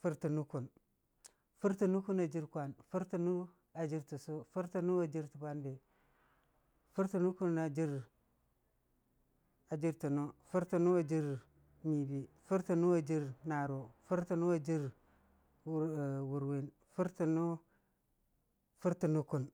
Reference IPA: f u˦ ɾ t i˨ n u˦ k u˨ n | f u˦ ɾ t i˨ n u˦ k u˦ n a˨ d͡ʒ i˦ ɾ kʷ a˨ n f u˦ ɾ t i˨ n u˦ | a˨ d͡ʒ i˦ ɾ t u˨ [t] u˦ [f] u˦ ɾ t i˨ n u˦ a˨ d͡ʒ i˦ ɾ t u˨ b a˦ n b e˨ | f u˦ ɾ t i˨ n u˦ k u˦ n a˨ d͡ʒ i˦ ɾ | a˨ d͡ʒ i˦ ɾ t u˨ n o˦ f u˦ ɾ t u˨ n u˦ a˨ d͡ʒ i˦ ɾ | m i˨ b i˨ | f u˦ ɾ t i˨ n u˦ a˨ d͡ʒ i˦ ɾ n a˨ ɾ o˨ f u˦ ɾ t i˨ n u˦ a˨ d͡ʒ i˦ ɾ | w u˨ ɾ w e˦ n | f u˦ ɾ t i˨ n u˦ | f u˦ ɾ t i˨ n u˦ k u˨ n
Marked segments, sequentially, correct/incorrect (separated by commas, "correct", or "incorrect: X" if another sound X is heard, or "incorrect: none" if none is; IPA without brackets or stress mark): incorrect: s, correct